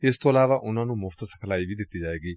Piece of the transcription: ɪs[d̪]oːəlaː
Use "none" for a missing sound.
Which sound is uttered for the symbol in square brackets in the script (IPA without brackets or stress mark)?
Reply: t̪